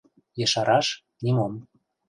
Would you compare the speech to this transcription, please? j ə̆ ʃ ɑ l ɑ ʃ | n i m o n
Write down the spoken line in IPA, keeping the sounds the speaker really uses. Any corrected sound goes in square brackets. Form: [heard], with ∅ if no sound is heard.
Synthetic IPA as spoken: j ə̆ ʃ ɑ [ɾ] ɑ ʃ | n i m o [m]